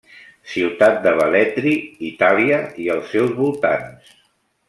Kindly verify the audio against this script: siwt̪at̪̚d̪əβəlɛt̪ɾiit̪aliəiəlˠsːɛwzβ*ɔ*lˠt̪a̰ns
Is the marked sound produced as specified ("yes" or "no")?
no